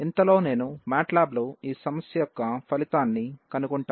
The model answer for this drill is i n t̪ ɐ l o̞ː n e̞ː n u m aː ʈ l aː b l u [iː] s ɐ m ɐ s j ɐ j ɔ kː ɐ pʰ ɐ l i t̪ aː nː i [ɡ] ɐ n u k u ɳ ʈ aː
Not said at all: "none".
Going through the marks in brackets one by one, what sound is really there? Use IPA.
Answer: iː, k

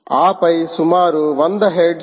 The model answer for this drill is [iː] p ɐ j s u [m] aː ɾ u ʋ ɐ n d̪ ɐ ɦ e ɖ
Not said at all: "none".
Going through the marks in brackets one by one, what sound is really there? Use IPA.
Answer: aː, m

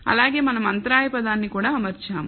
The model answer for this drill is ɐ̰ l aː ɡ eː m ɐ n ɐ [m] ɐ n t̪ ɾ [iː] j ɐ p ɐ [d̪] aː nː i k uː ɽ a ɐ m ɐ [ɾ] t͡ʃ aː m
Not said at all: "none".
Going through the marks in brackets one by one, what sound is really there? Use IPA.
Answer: m, aː, d̪, ɾ

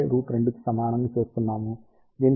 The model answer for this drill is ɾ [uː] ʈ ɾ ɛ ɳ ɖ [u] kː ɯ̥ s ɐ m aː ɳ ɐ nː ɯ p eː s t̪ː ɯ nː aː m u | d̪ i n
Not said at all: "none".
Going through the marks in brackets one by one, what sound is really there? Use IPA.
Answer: uː, ɯ

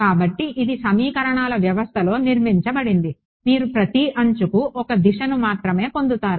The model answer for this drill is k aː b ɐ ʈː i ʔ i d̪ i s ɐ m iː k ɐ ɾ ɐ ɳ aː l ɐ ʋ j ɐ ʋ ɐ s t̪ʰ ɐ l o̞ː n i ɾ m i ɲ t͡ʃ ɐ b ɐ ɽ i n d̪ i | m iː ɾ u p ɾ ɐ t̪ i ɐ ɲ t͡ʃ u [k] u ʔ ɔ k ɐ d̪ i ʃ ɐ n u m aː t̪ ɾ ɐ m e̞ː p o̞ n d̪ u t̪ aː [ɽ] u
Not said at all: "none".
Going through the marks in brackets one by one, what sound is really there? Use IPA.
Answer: k, ɾ

